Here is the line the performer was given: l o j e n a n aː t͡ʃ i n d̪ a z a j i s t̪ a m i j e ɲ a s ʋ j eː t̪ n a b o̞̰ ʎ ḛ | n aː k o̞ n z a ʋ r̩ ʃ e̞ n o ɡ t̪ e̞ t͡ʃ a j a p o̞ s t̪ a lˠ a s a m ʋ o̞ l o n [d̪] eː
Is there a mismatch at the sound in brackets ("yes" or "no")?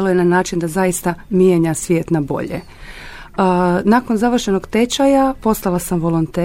yes